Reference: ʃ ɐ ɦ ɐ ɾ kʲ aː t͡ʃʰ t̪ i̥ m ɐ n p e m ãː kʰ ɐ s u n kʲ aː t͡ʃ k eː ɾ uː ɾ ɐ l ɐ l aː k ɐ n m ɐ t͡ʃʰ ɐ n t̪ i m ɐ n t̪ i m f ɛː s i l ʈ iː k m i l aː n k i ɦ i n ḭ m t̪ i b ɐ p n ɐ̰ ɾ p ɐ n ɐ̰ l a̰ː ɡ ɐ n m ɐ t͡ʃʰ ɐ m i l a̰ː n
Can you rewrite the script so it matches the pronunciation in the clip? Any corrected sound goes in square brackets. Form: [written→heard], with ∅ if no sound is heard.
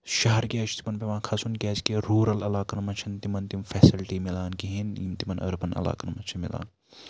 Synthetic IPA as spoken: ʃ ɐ ɦ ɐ ɾ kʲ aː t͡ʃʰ t̪ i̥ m ɐ n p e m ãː kʰ ɐ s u n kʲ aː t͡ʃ k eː ɾ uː ɾ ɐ l ɐ l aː k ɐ n m ɐ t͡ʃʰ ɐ n t̪ i m ɐ n t̪ i m f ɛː s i l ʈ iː [k→∅] m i l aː n k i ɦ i n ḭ m t̪ i [b→m] ɐ [p→∅] n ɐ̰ ɾ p ɐ n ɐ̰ l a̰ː [ɡ→k] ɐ n m ɐ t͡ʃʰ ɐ m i l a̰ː n